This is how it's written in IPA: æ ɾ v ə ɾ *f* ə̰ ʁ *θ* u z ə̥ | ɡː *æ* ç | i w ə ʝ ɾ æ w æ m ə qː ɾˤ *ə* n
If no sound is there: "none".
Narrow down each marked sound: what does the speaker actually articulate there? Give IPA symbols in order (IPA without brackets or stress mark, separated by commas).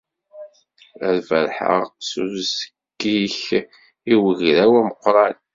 ħ, s, i, ɑ